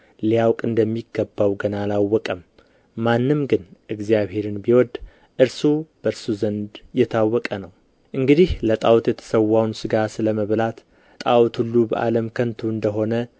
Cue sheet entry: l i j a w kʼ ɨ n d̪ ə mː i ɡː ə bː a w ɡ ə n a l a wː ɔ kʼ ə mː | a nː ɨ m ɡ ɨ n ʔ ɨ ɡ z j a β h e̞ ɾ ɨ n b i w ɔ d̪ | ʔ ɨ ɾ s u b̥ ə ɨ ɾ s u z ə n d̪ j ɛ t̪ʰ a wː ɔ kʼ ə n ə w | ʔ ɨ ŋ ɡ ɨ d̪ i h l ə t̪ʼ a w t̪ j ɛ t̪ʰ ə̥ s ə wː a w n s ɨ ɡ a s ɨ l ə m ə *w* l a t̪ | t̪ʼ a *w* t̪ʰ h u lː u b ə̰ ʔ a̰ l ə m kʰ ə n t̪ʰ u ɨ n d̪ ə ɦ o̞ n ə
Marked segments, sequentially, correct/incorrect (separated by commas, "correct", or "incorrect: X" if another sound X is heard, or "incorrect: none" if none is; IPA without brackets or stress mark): incorrect: β, correct